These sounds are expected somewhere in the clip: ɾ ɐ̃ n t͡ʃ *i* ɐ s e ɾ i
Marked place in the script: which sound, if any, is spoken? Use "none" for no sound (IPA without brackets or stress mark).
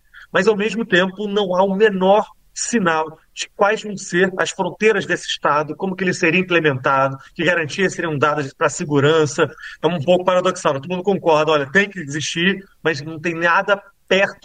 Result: i